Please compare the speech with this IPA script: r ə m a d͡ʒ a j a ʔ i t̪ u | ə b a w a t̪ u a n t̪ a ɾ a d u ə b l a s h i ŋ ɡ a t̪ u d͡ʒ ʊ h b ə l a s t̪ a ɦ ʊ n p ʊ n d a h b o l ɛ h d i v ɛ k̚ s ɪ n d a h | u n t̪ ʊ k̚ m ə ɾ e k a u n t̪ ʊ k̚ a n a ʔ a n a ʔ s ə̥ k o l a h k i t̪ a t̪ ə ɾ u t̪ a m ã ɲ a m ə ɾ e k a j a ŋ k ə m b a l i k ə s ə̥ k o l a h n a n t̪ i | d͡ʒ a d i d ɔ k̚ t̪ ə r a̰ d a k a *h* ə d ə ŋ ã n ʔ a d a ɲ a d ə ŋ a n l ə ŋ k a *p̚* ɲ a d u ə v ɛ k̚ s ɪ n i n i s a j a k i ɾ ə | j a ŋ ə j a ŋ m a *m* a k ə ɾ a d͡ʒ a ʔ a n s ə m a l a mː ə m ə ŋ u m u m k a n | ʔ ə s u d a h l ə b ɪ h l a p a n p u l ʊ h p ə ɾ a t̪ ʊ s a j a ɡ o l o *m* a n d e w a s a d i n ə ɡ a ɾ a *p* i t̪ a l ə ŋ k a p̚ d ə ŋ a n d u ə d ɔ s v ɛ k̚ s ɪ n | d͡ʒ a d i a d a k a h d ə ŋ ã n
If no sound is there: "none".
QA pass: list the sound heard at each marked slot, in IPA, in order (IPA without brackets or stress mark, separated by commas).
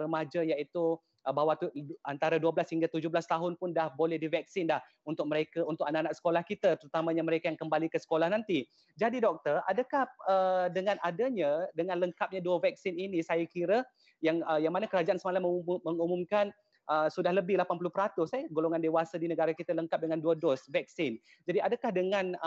h, p̚, n, ŋ, k